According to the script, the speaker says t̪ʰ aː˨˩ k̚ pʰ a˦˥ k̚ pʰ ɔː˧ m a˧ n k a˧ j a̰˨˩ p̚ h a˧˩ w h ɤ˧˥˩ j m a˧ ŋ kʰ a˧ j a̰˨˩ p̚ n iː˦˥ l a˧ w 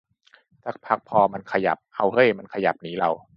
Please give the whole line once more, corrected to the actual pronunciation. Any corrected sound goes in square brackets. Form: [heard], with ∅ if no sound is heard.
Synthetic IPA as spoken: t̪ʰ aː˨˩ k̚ pʰ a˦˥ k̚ pʰ ɔː˧ m a˧ n [kʰ] a˧ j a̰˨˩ p̚ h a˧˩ w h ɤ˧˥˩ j m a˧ [n] kʰ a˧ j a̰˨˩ p̚ n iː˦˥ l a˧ w